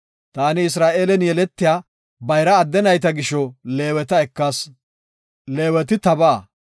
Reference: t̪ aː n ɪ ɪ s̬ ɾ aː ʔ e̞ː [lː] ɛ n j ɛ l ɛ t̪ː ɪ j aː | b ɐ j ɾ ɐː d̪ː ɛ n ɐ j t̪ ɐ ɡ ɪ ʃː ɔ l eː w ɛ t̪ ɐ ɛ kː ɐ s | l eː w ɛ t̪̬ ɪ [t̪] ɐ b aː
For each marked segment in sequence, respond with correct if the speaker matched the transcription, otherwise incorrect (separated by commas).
incorrect, correct